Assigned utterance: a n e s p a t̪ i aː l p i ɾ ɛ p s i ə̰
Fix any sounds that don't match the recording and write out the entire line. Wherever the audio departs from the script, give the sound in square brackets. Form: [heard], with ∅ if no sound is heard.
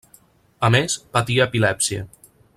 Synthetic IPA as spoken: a [m] e s p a t̪ i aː [∅] p i [l] ɛ p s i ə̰